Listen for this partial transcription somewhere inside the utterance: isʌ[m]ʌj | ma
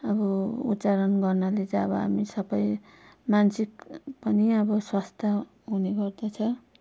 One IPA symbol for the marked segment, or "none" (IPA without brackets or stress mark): b